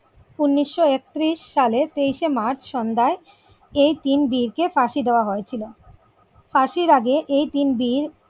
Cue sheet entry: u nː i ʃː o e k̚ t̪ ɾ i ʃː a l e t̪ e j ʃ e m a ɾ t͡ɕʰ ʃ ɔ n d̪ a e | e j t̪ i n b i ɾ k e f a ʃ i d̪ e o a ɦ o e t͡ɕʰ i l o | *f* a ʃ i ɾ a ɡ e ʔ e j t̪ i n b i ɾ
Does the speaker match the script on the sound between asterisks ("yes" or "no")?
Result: yes